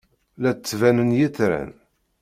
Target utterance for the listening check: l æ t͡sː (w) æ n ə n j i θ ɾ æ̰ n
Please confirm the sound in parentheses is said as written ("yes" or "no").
no